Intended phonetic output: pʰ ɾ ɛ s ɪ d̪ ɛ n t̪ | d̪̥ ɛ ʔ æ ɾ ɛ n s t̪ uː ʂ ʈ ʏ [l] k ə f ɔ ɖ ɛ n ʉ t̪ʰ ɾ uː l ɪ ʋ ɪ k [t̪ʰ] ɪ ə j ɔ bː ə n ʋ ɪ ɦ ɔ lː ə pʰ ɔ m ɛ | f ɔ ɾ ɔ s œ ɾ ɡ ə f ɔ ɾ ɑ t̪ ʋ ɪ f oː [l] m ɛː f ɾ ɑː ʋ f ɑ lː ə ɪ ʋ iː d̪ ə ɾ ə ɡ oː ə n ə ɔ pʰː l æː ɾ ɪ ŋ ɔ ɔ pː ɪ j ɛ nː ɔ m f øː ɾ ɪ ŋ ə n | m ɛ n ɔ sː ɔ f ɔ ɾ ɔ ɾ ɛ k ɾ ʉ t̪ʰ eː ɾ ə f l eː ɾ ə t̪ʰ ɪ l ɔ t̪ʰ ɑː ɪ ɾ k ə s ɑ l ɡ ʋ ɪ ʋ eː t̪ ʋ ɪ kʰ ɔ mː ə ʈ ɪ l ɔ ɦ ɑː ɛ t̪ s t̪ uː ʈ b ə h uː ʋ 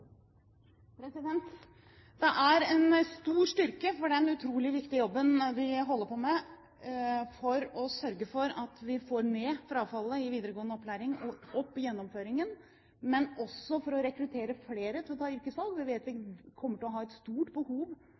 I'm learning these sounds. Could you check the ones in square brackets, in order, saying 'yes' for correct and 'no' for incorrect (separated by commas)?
no, no, no